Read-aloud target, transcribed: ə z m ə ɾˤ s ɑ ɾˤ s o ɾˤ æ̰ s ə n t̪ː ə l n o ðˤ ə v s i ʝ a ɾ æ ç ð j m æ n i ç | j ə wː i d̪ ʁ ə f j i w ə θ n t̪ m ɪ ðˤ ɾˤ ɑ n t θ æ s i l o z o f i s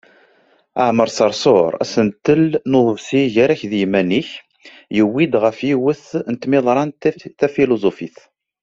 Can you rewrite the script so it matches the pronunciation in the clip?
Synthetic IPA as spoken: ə ʕ m ə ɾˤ s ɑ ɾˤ s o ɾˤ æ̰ s ə n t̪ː ə l n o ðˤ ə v s i ʝ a ɾ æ ç ð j m æ n i ç | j ə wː i d̪ ʁ ə f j i w ə θ n t̪ m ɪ ðˤ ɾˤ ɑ n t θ æ f i l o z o f i θ

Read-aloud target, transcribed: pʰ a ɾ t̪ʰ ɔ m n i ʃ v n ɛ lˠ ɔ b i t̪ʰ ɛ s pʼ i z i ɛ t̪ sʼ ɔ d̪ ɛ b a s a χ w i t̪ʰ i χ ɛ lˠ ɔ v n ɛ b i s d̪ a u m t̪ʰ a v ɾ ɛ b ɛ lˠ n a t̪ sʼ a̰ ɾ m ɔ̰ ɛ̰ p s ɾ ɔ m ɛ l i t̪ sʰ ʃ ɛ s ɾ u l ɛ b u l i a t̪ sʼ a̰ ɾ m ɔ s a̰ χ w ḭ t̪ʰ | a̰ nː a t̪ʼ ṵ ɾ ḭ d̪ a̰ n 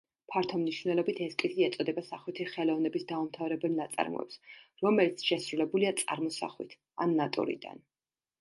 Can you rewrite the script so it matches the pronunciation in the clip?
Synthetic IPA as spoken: pʰ a ɾ t̪ʰ ɔ m n i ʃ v n ɛ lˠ ɔ b i t̪ʰ ɛ s kʼ i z i ɛ t̪ sʼ ɔ d̪ ɛ b a s a χ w i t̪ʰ i χ ɛ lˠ ɔ v n ɛ b i s d̪ a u m t̪ʰ a v ɾ ɛ b ɛ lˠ n a t̪ sʼ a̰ ɾ m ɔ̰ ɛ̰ p s ɾ ɔ m ɛ l i t̪ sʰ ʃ ɛ s ɾ u l ɛ b u l i a t̪ sʼ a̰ ɾ m ɔ s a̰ χ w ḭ t̪ʰ | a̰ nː a t̪ʼ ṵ ɾ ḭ d̪ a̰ n

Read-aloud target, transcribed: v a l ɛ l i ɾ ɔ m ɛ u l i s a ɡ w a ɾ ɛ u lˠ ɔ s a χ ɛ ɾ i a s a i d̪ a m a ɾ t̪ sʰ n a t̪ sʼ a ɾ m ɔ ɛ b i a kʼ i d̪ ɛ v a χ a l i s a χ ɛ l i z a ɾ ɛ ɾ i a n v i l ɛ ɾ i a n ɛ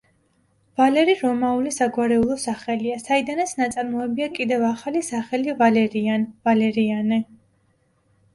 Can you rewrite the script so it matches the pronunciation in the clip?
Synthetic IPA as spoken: v a l ɛ ɾ i ɾ ɔ m a u l i s a ɡ w a ɾ ɛ u lˠ ɔ s a χ ɛ l i a s a i d̪ a n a t̪ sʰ n a t̪ sʼ a ɾ m ɔ ɛ b i a kʼ i d̪ ɛ v a χ a l i s a χ ɛ l i v a l ɛ ɾ i a n v a l ɛ ɾ i a n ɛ

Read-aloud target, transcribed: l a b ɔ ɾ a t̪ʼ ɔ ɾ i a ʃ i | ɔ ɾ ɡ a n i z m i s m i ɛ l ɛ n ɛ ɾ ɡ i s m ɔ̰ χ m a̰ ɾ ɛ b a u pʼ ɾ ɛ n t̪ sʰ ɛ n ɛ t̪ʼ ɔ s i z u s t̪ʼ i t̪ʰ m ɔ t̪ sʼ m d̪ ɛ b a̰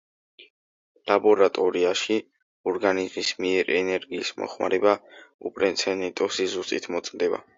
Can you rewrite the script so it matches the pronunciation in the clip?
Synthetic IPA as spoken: l a b ɔ ɾ a t̪ʼ ɔ ɾ i a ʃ i | ɔ ɾ ɡ a n i z m i s m i ɛ ɾ ɛ n ɛ ɾ ɡ iː s m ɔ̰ χ m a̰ ɾ ɛ b a u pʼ ɾ ɛ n t̪ sʰ ɛ n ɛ t̪ʼ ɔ s i z u s t̪ʼ i t̪ʰ m ɔ t̪ sʼ m d̪ ɛ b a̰

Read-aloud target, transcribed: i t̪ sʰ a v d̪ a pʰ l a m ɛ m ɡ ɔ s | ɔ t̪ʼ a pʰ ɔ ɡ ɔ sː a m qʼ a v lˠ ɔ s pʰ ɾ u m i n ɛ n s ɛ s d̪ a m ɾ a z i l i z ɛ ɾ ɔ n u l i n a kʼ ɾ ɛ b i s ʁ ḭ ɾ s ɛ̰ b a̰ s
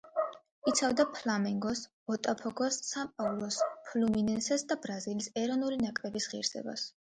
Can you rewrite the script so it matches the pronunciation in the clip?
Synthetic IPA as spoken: i t̪ sʰ a v d̪ a pʰ l a m ɛ ŋ ɡ ɔ s | ɔ t̪ʼ a pʰ ɔ ɡ ɔ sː a m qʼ a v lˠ ɔ s pʰ l u m i n ɛ n s ɛ s d̪ a b ɾ a z i l i s ɛ ɾ ɔ n u l i n a kʼ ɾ ɛ b i s ʁ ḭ ɾ s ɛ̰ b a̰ s

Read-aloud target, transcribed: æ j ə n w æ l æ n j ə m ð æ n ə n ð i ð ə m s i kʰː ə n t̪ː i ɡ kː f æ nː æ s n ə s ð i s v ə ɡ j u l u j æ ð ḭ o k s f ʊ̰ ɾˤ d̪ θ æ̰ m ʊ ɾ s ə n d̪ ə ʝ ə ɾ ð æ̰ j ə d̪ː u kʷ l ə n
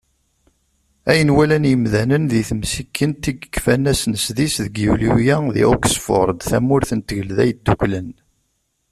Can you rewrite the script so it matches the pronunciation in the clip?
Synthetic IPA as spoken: æ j ə n w æ l æ n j ə m ð æ n ə n ð i θ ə m s i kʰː ə n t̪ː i ɡ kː f æ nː æ s n ə s ð i s ð ə ɡ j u l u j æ ð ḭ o k s f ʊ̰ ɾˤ d̪ θ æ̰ m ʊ ɾ θ ə n t̪ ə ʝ ə l ð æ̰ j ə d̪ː u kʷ l ə n

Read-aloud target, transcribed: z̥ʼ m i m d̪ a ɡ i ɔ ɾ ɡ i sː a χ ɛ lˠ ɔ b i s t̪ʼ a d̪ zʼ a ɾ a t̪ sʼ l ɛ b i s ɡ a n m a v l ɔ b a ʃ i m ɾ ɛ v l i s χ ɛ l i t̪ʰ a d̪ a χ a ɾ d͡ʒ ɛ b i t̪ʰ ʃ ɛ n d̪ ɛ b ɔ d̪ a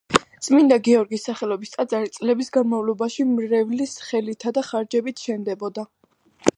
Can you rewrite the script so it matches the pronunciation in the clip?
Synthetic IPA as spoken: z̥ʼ m i n d̪ a ɡ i ɔ ɾ ɡ i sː a χ ɛ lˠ ɔ b i s t̪ʼ a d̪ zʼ a ɾ i t̪ sʼ l ɛ b i s ɡ a n m a v l ɔ b a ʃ i m ɾ ɛ v l i s χ ɛ l i t̪ʰ a d̪ a χ a ɾ d͡ʒ ɛ b i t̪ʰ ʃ ɛ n d̪ ɛ b ɔ d̪ a

